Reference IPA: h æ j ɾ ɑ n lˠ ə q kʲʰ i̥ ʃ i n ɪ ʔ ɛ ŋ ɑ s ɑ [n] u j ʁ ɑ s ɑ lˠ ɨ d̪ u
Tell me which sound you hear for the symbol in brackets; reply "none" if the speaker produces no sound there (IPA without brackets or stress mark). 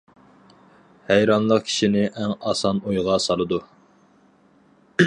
n